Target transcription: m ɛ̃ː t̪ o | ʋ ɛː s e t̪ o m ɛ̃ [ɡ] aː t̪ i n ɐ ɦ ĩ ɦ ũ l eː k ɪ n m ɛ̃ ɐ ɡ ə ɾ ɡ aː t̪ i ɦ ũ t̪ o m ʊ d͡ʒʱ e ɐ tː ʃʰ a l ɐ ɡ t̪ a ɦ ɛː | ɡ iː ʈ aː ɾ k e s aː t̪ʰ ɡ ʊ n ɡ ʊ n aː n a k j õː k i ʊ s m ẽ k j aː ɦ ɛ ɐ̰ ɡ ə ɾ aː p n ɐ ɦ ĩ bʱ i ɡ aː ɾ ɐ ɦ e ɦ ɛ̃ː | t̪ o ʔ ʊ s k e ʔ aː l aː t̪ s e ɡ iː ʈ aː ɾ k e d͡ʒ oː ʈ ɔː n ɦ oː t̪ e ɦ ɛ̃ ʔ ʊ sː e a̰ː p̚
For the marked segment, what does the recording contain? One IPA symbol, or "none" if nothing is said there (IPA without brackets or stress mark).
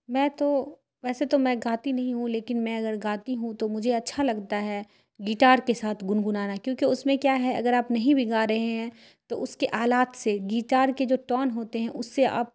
ɡ